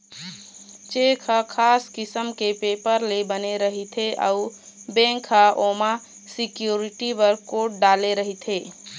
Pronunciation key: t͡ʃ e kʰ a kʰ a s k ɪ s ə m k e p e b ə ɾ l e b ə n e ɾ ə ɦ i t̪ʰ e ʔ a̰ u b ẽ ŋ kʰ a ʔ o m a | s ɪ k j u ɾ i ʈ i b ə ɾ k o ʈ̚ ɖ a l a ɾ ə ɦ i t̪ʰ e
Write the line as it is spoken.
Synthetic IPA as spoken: t͡ʃ e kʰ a kʰ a s k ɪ s ə m k e p e p ə ɾ l e b ə n e ɾ ə ɦ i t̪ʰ e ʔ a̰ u b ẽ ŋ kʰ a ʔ o m a | s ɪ k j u ɾ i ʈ i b ə ɾ k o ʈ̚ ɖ a l e ɾ ə ɦ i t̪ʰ e